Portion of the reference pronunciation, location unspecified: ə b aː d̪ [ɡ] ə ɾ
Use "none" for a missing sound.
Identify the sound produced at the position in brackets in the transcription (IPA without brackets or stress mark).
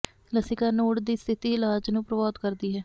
k